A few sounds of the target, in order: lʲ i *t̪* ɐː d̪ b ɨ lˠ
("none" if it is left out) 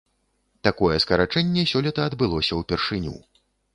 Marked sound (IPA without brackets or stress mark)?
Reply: t̪